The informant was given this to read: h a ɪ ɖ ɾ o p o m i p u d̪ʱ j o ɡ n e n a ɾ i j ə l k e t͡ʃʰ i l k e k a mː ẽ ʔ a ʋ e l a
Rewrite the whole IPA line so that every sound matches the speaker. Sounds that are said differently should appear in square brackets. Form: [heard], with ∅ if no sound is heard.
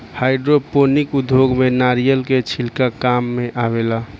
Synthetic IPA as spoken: h a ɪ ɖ ɾ o p o [n] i [k] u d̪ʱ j o ɡ [m] e n a ɾ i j ə l k e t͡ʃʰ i l k [a] k a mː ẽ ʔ a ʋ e l a

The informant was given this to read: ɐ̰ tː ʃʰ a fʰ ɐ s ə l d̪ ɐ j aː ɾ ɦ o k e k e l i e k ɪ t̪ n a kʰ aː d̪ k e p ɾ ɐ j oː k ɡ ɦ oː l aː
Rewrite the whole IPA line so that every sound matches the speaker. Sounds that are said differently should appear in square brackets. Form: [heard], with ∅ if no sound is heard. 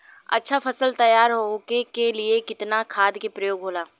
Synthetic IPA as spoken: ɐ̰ tː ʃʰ a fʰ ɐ s ə l [t̪] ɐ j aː ɾ ɦ o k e k e l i e k ɪ t̪ n a kʰ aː d̪ k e p ɾ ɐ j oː [∅] ɡ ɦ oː l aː

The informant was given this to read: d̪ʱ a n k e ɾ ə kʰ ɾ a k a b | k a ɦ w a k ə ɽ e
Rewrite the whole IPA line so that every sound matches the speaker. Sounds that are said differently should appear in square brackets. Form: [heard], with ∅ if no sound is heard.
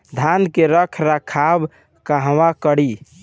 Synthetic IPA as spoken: d̪ʱ a n k e ɾ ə kʰ ɾ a [kʰ] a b | k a ɦ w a k ə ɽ [i]

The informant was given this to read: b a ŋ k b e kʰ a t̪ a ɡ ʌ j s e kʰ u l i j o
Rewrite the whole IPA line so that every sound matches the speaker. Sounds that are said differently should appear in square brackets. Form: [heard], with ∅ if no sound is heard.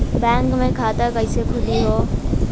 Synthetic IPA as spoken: b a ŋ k [m] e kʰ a t̪ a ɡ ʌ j s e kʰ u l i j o

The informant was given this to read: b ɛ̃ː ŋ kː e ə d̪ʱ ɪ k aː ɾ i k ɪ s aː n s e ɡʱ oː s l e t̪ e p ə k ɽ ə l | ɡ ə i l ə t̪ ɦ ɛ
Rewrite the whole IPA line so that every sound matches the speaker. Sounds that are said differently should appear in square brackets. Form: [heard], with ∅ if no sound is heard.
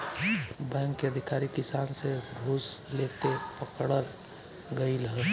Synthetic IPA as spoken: b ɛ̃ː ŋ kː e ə d̪ʱ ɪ k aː ɾ i k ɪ s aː n s e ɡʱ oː s l e t̪ e p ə k ɽ ə l | ɡ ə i l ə [∅] ɦ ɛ

